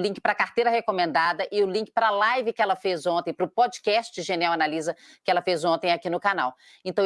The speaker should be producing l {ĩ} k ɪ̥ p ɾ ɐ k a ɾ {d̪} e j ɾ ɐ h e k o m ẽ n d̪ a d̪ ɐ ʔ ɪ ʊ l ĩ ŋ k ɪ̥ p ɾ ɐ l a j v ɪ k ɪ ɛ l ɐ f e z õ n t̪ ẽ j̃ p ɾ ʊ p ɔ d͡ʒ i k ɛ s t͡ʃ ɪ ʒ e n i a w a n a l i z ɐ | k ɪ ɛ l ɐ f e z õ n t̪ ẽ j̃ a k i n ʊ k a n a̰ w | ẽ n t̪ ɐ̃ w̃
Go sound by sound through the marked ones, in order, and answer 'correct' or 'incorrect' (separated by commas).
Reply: correct, incorrect